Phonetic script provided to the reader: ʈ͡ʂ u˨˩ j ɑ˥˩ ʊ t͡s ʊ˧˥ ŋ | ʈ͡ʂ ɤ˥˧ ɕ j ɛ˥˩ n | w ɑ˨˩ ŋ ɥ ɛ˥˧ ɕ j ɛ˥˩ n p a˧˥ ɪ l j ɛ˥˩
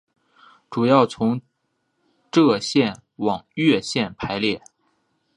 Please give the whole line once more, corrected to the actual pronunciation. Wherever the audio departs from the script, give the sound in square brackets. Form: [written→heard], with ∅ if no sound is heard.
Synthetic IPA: ʈ͡ʂ u˨˩ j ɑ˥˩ ʊ [t͡s→t͡sʰ] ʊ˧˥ ŋ | ʈ͡ʂ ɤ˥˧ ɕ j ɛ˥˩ n | w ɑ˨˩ ŋ ɥ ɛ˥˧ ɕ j ɛ˥˩ n [p→pʰ] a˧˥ ɪ l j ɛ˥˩

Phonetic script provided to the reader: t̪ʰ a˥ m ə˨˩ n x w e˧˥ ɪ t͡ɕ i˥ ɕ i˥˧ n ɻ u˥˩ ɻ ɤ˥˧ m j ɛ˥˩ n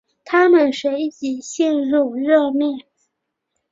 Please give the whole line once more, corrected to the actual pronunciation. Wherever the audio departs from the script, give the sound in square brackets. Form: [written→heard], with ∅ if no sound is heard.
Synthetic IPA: t̪ʰ a˥ m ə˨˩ n [x→ʂ] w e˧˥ ɪ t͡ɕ [i˥→i˨˩] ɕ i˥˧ n ɻ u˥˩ ɻ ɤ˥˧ m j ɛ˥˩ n

